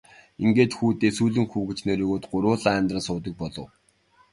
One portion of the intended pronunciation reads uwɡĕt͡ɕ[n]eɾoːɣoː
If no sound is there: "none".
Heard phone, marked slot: n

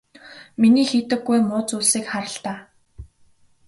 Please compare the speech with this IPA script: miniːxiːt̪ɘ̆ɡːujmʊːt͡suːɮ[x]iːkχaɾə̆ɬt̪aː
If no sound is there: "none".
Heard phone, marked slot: s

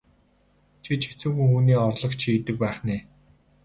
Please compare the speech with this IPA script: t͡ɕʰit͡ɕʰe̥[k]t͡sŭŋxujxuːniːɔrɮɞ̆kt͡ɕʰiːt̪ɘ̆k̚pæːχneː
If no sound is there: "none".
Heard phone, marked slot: none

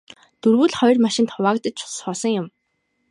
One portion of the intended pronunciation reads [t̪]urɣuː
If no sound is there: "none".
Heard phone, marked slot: t̪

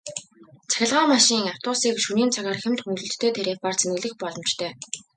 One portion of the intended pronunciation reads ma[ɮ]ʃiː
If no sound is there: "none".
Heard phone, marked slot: none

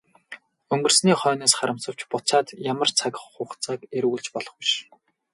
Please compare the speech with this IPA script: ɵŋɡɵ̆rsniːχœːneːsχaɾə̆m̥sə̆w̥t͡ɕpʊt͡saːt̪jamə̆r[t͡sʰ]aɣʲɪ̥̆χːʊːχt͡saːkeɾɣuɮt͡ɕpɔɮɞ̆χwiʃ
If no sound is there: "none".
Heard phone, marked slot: t͡sʰ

